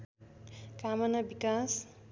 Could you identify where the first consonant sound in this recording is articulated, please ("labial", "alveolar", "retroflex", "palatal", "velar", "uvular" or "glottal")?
velar